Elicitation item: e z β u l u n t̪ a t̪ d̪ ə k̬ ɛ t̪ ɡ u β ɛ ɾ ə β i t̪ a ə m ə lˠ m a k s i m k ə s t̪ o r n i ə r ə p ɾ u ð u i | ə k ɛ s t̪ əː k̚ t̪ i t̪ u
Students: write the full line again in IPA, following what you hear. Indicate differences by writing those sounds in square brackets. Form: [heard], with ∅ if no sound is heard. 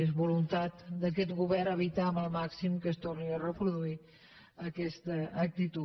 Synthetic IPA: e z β u l u n t̪ a t̪ d̪ ə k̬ ɛ t̪ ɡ u β ɛ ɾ ə β i t̪ a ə m ə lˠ m a k s i m k ə s t̪ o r n i ə r ə p ɾ u ð u i | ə k ɛ s t̪ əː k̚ t̪ i t̪ u